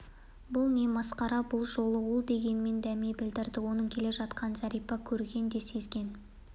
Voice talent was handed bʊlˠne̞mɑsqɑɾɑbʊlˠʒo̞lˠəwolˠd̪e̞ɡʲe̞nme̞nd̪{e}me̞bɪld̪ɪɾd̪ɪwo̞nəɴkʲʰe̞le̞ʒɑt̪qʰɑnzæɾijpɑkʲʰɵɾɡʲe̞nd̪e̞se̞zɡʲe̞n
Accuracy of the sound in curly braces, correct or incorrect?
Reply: incorrect